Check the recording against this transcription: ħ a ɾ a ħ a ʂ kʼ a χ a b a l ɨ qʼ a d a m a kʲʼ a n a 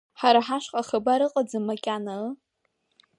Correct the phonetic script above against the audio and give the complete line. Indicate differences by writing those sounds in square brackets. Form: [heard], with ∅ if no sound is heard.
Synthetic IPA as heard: ħ a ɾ a ħ a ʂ [qʼ] a χ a b a [ɾ] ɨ qʼ a [d͡z] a m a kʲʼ a n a